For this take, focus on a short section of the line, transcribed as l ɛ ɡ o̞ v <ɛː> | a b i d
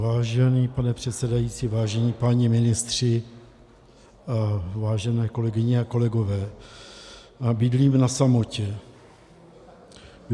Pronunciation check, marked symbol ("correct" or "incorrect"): correct